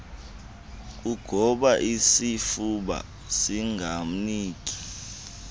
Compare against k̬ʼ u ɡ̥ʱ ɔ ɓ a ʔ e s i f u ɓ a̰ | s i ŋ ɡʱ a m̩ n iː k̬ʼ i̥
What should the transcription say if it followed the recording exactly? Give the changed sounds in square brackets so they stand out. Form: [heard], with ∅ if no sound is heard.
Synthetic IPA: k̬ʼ u ɡ̥ʱ ɔ ɓ a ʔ [i] s i f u ɓ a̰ | s i ŋ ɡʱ a m̩ n iː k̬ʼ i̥